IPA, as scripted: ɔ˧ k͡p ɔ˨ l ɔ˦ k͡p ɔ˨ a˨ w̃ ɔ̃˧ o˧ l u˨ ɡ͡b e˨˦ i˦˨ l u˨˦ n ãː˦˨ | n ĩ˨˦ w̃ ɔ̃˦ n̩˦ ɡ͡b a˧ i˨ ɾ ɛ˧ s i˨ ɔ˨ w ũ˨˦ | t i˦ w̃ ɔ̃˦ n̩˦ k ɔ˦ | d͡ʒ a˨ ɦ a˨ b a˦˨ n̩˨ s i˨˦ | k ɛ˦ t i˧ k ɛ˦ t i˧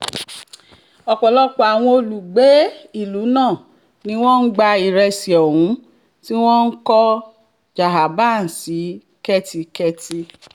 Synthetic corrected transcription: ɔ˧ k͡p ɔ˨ l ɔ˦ k͡p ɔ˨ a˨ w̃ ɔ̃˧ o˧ l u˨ ɡ͡b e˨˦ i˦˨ l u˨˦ n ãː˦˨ | n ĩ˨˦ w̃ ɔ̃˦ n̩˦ ɡ͡b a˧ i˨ ɾ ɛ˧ s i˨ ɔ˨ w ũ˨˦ | t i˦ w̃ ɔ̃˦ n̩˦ k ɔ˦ | d͡ʒ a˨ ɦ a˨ b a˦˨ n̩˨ s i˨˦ | k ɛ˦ t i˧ k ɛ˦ t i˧